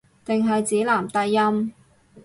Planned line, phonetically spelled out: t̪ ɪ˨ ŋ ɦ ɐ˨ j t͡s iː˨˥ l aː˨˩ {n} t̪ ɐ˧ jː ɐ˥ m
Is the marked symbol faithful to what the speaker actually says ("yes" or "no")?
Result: no